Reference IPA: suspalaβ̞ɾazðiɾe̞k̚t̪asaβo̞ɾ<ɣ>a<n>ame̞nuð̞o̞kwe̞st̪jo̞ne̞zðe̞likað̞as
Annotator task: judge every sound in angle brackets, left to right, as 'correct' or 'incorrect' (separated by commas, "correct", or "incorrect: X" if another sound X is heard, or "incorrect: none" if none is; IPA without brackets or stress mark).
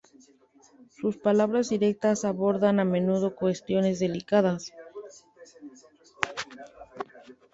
incorrect: ð, correct